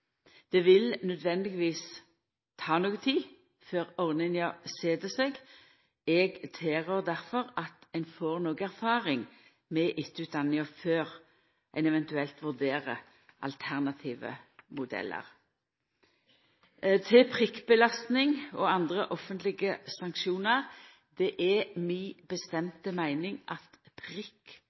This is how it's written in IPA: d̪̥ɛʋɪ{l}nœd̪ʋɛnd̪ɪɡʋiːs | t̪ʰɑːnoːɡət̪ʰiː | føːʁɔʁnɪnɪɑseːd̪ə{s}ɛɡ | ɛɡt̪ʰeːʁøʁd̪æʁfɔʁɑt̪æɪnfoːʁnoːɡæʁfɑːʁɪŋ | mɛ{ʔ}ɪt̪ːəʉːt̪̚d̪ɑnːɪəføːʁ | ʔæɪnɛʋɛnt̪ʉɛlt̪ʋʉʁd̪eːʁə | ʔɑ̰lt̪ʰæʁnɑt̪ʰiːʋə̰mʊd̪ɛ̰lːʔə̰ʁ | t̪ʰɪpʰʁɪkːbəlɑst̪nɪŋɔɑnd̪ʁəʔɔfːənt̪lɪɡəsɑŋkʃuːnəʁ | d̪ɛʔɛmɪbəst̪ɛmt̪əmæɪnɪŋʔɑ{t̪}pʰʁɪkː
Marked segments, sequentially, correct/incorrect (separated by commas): correct, correct, correct, correct